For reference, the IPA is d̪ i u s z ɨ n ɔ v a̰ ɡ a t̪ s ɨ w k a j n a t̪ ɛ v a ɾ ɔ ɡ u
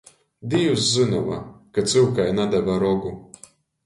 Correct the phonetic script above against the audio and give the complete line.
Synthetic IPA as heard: d̪ i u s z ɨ n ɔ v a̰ k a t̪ s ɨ w k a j n a d̪ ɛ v a ɾ ɔ ɡ u